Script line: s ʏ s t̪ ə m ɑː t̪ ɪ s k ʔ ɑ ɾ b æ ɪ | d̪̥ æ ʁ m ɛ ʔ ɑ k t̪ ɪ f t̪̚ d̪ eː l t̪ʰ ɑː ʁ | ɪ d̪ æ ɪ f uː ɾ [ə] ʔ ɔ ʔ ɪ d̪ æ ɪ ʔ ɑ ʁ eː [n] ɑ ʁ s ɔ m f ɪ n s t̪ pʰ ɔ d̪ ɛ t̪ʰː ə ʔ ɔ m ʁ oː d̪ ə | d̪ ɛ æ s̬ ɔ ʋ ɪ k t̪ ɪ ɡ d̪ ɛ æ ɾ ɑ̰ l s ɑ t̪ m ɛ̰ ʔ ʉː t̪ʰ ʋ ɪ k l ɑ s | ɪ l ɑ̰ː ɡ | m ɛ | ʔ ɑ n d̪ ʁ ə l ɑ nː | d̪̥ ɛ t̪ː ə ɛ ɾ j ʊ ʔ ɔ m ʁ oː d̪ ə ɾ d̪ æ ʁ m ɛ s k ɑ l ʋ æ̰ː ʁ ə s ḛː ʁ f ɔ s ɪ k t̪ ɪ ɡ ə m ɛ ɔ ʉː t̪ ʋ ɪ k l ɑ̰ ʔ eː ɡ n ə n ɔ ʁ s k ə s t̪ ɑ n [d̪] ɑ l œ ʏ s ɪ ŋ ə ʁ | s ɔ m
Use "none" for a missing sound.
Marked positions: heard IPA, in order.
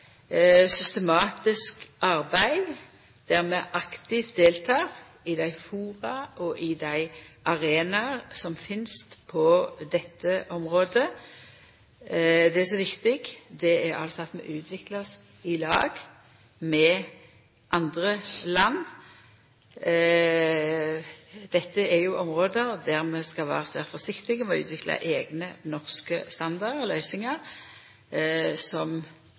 ɑ, n, d̪

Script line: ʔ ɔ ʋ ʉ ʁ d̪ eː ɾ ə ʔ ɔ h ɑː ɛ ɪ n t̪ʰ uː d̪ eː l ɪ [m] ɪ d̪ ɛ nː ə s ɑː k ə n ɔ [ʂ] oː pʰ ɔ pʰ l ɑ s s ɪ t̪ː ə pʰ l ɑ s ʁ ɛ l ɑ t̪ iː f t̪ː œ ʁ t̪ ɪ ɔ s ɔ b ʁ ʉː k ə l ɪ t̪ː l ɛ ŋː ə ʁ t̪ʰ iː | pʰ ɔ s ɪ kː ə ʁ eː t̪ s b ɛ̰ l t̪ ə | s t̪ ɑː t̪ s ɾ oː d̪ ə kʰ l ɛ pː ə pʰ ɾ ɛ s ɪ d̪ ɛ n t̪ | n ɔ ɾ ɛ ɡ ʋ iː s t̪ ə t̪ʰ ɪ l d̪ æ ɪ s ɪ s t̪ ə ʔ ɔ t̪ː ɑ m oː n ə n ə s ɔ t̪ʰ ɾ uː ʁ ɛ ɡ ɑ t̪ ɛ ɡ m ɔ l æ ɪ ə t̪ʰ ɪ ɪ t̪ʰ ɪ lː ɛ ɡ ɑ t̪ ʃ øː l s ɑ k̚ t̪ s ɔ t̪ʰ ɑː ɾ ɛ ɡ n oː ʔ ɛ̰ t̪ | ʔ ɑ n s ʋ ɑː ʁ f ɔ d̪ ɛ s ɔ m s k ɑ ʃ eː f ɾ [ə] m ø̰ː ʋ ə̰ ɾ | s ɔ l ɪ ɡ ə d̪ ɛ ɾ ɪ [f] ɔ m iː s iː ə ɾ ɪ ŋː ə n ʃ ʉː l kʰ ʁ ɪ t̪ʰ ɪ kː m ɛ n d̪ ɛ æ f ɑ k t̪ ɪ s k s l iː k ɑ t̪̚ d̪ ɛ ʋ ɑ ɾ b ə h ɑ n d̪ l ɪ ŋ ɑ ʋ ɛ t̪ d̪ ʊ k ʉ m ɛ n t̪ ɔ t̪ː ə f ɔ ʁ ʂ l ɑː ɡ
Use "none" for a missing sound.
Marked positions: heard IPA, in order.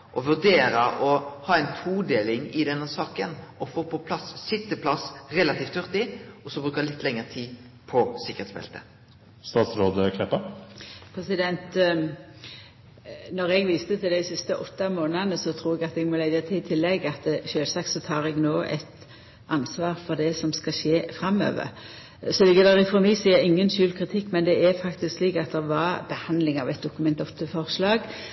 ŋ, f, ɑ, f

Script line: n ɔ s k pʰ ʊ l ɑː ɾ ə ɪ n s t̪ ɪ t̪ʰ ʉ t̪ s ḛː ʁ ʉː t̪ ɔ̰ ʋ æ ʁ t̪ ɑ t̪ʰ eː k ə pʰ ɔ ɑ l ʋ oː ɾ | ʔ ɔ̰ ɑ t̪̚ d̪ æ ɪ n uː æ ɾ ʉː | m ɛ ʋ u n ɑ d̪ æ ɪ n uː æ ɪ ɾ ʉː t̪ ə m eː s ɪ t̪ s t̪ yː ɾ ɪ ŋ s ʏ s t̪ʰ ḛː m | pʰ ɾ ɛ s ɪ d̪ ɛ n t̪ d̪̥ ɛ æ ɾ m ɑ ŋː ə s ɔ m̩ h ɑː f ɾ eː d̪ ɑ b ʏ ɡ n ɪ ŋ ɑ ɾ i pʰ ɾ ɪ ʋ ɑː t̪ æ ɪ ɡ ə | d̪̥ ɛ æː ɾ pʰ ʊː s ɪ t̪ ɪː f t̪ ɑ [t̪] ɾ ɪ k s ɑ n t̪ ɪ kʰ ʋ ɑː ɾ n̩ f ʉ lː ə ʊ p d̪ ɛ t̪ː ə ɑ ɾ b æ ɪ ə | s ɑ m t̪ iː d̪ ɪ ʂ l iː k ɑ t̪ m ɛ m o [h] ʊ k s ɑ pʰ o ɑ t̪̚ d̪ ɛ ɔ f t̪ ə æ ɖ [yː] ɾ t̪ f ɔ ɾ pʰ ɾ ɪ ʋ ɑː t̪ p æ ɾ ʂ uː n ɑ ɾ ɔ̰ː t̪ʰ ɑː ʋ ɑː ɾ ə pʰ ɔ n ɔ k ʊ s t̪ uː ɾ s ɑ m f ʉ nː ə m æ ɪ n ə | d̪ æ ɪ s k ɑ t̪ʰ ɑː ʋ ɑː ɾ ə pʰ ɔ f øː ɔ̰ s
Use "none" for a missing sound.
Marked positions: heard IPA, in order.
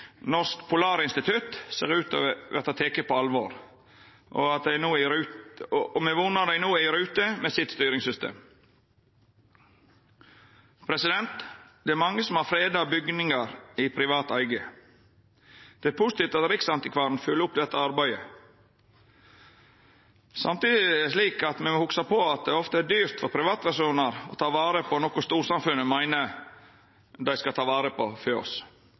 t̪, h, yː

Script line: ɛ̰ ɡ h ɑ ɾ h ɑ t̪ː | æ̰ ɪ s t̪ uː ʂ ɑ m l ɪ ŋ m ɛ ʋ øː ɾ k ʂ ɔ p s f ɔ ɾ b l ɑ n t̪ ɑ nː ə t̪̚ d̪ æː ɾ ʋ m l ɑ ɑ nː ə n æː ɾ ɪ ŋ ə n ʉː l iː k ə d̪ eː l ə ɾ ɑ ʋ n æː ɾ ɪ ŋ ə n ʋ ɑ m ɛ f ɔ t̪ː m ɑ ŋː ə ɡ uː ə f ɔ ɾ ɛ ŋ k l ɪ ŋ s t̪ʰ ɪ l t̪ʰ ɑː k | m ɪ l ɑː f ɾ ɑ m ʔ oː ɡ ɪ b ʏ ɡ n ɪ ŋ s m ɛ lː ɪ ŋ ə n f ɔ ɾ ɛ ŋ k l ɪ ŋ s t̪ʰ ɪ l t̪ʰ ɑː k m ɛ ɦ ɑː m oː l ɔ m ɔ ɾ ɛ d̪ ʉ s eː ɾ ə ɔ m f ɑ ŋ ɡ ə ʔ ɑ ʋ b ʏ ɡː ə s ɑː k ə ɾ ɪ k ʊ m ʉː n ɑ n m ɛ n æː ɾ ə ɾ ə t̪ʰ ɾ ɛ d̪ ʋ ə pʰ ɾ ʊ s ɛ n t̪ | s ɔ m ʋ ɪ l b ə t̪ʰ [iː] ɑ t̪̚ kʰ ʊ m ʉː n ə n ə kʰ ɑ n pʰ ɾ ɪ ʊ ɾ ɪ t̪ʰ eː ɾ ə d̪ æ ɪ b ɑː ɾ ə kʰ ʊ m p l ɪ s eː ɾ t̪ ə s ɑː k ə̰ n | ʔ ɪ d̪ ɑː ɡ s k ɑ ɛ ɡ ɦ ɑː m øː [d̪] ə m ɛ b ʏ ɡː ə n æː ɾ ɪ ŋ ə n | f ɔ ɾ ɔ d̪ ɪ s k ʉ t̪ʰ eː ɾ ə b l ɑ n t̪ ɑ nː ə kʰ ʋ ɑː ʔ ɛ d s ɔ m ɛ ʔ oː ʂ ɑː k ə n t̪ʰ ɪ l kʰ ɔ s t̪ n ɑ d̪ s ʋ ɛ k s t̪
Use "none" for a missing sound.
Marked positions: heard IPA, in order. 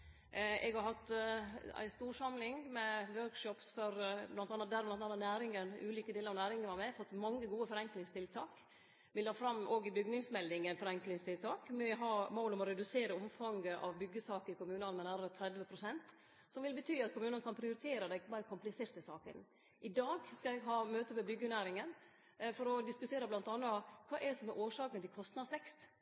yː, t̪

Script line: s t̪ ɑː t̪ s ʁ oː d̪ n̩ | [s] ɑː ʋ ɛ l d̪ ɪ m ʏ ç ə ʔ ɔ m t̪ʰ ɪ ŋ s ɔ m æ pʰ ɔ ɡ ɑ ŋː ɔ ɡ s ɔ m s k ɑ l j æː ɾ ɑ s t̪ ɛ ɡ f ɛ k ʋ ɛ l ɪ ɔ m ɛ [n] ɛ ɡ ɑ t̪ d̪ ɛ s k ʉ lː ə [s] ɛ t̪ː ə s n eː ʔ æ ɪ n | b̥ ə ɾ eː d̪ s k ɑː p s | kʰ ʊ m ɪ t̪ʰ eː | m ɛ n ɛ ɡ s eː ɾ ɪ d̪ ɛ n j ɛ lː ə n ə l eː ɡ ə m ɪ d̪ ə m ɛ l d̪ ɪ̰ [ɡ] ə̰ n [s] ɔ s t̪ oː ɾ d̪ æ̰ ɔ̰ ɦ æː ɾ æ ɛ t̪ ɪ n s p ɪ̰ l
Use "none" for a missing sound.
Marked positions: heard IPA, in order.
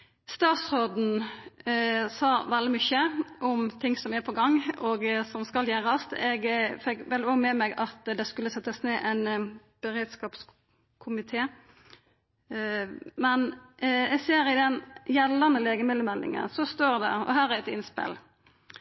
s, m, s, ŋ, s

